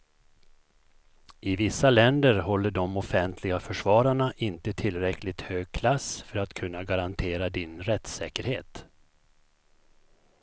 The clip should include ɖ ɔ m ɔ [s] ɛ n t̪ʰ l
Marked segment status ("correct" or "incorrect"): incorrect